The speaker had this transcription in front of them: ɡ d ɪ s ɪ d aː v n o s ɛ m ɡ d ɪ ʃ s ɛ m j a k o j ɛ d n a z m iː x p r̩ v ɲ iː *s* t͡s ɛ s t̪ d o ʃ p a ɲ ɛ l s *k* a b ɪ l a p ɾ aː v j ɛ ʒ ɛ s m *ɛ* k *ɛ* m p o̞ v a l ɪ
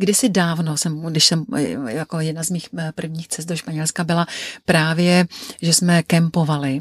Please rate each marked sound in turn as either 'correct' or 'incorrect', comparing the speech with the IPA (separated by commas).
incorrect, correct, correct, correct